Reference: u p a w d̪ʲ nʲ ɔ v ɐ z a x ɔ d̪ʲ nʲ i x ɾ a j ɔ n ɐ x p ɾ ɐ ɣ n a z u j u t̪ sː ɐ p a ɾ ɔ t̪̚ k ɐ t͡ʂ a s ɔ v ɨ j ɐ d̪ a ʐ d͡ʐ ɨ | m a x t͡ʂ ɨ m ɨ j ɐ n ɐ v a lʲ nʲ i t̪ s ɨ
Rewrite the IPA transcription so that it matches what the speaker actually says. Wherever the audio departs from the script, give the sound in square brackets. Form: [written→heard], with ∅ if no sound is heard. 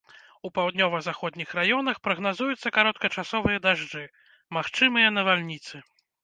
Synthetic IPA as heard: u p a w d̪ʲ nʲ ɔ v ɐ z a x ɔ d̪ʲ nʲ i x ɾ a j ɔ n ɐ x p ɾ ɐ ɣ n a z u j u t̪ sː ɐ [p→k] a ɾ ɔ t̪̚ k ɐ t͡ʂ a s ɔ v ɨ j ɐ d̪ a ʐ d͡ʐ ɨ | m a x t͡ʂ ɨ m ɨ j ɐ n ɐ v a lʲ nʲ i t̪ s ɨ